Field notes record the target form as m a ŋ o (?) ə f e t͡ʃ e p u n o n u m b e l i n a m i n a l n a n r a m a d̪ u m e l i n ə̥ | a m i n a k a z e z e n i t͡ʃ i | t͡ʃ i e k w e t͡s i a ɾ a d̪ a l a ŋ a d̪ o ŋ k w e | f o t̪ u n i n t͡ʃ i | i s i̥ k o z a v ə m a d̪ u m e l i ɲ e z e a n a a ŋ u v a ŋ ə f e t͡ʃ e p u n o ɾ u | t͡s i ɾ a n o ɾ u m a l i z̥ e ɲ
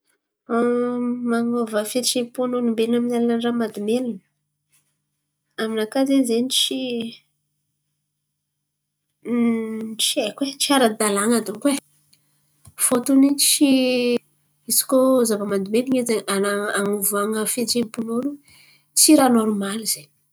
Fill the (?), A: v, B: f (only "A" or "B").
A